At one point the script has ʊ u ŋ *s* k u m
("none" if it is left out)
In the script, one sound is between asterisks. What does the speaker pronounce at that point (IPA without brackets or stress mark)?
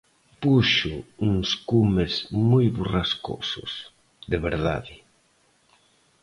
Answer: s